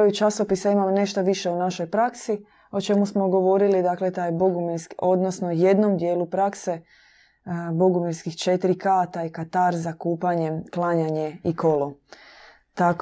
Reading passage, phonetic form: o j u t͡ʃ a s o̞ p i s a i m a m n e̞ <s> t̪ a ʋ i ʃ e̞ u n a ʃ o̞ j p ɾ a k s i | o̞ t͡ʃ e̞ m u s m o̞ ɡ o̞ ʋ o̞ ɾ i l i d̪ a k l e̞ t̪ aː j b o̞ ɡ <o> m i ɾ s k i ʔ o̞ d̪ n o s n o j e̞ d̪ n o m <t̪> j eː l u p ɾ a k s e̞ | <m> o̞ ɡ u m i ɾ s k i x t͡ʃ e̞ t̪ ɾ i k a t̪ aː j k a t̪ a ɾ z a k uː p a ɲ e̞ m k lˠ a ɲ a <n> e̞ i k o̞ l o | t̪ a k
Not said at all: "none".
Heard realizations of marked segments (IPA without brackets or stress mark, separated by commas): ʃ, u, d̪, b, ɲ